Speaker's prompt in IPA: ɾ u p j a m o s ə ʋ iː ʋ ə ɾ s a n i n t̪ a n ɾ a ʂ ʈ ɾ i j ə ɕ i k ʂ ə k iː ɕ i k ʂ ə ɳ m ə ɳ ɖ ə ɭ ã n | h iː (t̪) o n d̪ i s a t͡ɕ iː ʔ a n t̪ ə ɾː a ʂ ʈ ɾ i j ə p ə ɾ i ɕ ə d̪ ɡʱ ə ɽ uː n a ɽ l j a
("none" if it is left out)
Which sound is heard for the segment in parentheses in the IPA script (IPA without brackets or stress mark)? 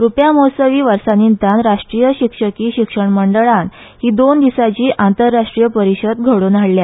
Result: d̪